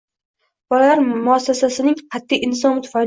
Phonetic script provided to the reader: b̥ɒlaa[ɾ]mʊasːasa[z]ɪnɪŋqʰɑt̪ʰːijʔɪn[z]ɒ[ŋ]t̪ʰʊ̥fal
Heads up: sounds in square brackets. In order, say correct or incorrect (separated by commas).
correct, incorrect, incorrect, incorrect